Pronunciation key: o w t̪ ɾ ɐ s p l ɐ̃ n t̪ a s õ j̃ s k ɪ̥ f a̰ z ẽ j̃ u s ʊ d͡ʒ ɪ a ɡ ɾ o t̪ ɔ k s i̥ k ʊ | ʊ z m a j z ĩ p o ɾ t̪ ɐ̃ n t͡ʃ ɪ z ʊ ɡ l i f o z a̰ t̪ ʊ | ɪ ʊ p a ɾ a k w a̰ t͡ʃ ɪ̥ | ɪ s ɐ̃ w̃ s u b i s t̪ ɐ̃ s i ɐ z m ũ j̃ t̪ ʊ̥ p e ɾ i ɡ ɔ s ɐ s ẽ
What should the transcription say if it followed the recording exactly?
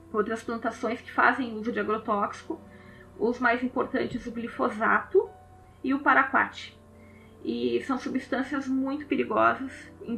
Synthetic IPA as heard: o w t̪ ɾ ɐ s p l ɐ̃ n t̪ a s õ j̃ s k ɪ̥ f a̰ z ẽ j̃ u z ʊ d͡ʒ ɪ a ɡ ɾ o t̪ ɔ k s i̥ k ʊ | ʊ z m a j z ĩ p o ɾ t̪ ɐ̃ n t͡ʃ ɪ z ʊ ɡ l i f o z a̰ t̪ ʊ | ɪ ʊ p a ɾ a k w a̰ t͡ʃ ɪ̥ | ɪ s ɐ̃ w̃ s u b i s t̪ ɐ̃ s i ɐ z m ũ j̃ t̪ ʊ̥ p e ɾ i ɡ ɔ z ɐ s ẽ